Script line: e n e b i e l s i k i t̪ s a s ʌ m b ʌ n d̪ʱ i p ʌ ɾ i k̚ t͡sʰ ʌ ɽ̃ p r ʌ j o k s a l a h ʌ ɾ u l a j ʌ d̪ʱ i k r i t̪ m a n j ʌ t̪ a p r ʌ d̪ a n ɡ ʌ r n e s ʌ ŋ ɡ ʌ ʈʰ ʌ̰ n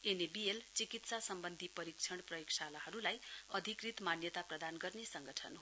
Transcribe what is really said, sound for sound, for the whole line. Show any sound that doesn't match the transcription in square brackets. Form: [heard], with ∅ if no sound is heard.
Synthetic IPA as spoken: e n e b i e l [t͡s] i k i t̪ s a s ʌ m b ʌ n d̪ʱ i p ʌ ɾ i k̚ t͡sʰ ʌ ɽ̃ p r ʌ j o k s a l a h ʌ ɾ u l a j ʌ d̪ʱ i k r i t̪ m a n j ʌ t̪ a p r ʌ d̪ a n ɡ ʌ r n e s ʌ ŋ ɡ ʌ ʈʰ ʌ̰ n